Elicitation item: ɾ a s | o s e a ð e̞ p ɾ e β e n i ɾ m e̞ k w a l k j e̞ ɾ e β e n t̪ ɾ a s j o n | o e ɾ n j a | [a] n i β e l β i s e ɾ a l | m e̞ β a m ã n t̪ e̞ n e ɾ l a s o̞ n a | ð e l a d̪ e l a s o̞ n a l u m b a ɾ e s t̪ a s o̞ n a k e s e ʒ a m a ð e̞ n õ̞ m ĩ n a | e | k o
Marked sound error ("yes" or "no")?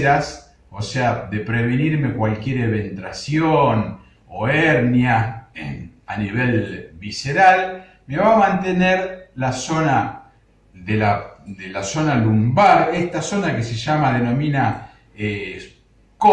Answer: no